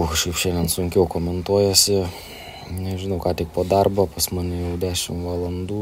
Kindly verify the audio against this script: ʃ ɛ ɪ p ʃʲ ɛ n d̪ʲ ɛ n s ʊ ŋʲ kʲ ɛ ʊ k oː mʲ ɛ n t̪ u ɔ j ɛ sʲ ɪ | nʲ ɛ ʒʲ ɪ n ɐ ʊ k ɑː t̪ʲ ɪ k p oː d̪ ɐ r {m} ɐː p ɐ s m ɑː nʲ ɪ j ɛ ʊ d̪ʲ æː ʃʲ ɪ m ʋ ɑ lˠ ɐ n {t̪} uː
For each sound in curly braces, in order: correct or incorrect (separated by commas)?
incorrect, incorrect